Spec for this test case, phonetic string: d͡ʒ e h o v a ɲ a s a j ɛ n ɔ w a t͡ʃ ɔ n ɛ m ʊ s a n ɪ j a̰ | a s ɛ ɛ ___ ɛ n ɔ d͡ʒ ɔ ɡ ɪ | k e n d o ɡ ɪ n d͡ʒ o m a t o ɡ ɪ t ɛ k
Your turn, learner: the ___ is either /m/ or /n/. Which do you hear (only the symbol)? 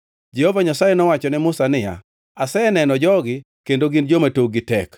n